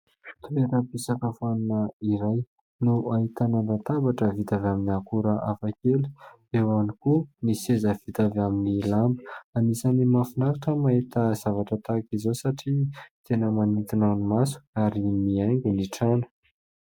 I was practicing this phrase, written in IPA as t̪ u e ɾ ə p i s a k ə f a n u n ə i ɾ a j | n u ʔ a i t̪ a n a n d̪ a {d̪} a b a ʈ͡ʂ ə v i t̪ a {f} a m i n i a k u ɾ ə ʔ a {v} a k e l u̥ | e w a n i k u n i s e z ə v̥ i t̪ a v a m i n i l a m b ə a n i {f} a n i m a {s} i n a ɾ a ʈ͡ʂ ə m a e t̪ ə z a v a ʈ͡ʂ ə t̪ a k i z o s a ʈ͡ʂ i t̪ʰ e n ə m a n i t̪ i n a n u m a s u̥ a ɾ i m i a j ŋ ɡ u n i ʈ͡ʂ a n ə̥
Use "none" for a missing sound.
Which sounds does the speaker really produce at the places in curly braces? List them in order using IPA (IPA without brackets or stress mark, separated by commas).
t̪, v, f, s, f